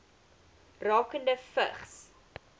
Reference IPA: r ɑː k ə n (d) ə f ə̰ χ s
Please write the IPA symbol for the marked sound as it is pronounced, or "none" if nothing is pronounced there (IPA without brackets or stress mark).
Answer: d